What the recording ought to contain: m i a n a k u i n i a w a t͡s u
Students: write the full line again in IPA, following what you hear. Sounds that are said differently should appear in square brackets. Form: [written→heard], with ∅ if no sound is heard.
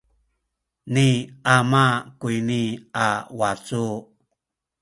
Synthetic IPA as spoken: [m→n] i a [n→m] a k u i n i a w a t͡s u

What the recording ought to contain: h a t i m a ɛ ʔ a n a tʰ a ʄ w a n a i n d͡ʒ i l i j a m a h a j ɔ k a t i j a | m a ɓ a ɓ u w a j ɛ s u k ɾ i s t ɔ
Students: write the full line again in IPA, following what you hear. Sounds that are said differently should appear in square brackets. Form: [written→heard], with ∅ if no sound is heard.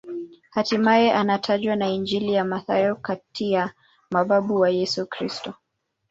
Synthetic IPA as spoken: h a t i m a ɛ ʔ a n a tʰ a ʄ w a n a i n d͡ʒ i l i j a m a [h→θ] a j ɔ k a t i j a | m a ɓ a ɓ u w a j ɛ s u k ɾ i s t ɔ

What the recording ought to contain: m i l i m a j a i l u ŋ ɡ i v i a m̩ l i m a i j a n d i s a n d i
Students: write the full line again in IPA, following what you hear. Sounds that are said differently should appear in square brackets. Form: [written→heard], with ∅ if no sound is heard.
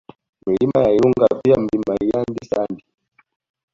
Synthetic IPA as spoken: m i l i m a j a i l u ŋ ɡ [i→a] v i a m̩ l i m a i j a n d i s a n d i

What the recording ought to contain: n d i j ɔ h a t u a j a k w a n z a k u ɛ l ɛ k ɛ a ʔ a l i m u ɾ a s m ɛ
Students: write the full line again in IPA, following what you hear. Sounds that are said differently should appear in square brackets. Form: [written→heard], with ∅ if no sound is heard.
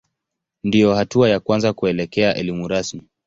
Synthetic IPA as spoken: n d i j ɔ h a t u a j a k w a n z a k u ɛ l ɛ k ɛ a ʔ [a→ɛ] l i m u ɾ a s m [ɛ→i]

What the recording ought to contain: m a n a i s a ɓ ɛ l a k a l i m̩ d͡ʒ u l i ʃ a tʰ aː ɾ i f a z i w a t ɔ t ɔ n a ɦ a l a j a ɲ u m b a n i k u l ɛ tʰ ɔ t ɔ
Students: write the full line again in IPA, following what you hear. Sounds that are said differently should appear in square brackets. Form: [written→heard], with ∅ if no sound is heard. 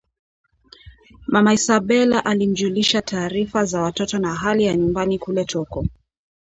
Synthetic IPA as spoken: m a [n→m] a i s a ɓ ɛ l a [k→ʔ] a l i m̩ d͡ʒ u l i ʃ a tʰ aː ɾ i f a z [i→a] w a t ɔ t ɔ n a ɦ a l [a→i] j a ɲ u m b a n i k u l ɛ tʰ ɔ [t→k] ɔ

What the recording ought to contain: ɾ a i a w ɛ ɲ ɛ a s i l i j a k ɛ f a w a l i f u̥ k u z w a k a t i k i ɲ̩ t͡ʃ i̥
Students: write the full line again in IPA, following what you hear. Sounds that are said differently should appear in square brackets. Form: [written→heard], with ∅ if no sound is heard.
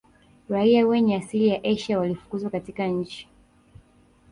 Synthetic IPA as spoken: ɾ a i a w ɛ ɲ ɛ a s i l i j a [k→ʔ] ɛ [f→ʃ] a w a l i f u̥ k u z w a k a t i k [i→a] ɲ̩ t͡ʃ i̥

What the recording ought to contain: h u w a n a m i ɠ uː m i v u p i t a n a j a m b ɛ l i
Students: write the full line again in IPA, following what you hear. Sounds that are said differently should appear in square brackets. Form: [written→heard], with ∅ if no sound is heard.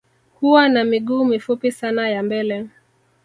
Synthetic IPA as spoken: h u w a n a m i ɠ uː m i [v→f] u p i [t→s] a n a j a m b ɛ l [i→ɛ]

